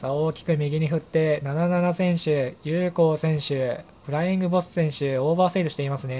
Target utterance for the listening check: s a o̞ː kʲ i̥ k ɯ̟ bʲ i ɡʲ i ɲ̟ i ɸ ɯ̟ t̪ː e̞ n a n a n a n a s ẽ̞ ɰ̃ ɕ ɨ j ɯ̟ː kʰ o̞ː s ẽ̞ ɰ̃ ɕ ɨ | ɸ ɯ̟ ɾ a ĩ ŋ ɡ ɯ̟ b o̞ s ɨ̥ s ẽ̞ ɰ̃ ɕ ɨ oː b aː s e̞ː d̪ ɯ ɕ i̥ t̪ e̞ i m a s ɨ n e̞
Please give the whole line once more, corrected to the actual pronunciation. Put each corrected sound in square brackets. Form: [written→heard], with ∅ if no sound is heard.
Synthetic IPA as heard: s a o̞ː kʲ i̥ k ɯ̟ [bʲ→mʲ] i ɡʲ i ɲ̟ i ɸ ɯ̟ t̪ː e̞ n a n a n a n a s ẽ̞ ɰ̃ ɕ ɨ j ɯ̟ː [kʰ→k] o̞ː s ẽ̞ ɰ̃ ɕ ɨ | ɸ ɯ̟ ɾ a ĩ ŋ ɡ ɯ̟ b o̞ s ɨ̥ s ẽ̞ ɰ̃ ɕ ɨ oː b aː s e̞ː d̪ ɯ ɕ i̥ t̪ e̞ i m a s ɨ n e̞